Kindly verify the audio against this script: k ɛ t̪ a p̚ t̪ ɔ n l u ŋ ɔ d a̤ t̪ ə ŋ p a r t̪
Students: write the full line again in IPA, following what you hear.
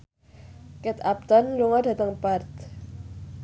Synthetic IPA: k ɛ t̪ a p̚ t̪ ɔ n l u ŋ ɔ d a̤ t̪ ə ŋ p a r t̪